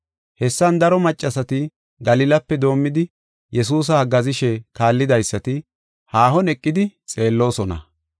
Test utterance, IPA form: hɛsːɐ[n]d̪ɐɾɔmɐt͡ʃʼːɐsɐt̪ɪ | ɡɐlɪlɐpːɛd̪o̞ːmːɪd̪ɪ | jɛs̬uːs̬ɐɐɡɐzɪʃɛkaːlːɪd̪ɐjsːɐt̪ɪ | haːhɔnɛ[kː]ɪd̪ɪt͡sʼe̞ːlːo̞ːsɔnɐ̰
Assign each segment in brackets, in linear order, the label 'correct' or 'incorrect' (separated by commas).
correct, incorrect